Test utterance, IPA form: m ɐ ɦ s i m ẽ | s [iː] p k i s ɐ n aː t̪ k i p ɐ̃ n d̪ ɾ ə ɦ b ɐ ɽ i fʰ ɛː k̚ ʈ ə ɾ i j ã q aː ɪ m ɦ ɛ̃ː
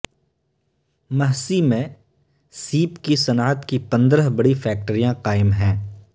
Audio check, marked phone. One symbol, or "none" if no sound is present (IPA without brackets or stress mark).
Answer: iː